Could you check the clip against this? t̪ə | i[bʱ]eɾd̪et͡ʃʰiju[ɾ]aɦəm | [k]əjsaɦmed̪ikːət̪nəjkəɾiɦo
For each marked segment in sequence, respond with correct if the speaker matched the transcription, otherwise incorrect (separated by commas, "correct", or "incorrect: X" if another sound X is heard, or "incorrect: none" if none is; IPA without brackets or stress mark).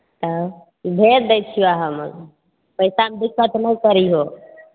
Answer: correct, incorrect: none, incorrect: p